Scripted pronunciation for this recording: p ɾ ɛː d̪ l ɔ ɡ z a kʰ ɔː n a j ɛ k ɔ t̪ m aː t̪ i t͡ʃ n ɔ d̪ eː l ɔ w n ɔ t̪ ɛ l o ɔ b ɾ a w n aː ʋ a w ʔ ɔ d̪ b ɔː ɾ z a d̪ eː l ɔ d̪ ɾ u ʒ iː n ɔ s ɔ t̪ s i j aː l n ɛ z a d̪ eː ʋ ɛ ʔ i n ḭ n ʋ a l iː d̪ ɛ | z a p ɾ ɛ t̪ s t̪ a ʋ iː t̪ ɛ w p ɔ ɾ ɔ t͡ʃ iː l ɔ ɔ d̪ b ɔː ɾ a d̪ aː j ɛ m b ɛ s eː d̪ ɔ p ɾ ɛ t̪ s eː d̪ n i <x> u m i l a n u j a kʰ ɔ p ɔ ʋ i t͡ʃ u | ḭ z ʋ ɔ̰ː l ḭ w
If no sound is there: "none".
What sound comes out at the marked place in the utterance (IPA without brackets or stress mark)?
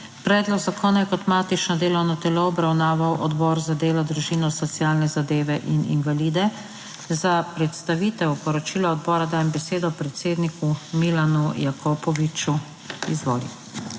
k